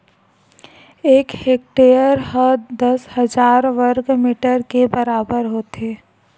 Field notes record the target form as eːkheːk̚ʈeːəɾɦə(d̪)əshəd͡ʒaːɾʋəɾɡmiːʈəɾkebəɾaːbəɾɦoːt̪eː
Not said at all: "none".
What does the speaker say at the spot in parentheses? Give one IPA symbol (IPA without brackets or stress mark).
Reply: d̪